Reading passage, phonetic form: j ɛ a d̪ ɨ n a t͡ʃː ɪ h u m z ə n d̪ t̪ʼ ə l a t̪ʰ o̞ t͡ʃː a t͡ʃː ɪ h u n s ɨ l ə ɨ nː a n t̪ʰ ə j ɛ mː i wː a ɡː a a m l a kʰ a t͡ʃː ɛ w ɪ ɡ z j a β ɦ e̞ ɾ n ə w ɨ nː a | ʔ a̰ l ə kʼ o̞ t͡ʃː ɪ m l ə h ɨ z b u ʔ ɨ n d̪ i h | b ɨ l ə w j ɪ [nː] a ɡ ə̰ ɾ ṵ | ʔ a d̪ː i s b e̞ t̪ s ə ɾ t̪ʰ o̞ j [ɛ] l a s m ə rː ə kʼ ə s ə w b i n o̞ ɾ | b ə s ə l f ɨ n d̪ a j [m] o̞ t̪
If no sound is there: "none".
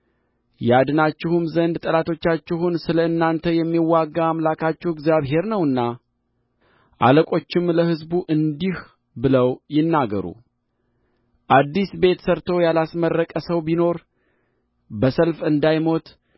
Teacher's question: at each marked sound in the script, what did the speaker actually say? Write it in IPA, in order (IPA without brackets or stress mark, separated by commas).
nː, a, m